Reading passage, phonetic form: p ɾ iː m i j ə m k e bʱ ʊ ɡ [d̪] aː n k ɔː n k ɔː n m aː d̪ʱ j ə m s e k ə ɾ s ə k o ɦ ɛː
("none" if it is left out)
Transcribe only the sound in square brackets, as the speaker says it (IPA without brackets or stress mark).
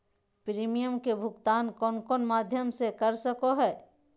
t̪